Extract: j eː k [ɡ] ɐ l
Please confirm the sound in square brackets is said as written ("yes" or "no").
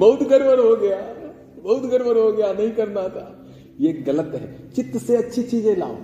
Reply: yes